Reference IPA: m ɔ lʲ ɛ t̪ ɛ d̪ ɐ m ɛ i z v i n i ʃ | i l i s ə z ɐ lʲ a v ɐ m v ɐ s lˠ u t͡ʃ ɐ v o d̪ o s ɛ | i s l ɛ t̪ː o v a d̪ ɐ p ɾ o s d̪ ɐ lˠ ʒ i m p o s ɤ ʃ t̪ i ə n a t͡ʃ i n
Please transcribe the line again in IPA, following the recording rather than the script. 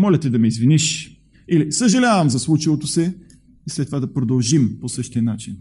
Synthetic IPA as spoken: m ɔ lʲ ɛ t̪ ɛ d̪ ɐ m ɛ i z v i n i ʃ | i l i s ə ʒ ɐ lʲ a v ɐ m z ɐ s lˠ u t͡ʃ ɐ v o t̪ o s ɛ | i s l ɛ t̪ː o v a d̪ ɐ p ɾ o d̪ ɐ lˠ ʒ i m p o s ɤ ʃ t̪ i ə n a t͡ʃ i n